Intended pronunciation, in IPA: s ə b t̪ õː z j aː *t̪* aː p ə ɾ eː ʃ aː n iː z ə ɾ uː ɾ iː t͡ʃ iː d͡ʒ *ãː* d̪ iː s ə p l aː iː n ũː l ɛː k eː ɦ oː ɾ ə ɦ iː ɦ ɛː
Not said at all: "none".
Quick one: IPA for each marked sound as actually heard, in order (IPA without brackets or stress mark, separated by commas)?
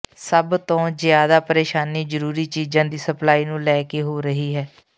d̪, ãː